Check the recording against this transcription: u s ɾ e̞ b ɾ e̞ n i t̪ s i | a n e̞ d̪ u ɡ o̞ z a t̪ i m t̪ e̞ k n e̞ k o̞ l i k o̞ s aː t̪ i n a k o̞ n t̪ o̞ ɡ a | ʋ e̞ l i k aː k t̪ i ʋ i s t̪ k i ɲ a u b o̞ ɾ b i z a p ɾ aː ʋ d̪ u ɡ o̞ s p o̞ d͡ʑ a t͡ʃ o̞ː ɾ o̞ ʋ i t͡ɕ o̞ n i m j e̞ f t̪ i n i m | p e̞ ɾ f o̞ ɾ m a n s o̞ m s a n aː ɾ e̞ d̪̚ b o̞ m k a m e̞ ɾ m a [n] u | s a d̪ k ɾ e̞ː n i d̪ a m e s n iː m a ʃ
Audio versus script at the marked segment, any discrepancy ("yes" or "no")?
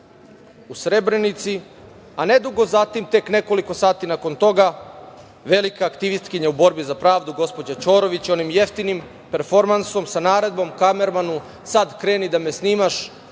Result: no